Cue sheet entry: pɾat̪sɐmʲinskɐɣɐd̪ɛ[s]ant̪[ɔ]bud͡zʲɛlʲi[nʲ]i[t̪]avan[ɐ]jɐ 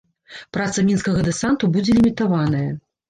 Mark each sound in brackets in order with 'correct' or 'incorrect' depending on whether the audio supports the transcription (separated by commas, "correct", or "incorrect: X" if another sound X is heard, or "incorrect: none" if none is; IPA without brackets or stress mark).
correct, incorrect: u, incorrect: mʲ, correct, correct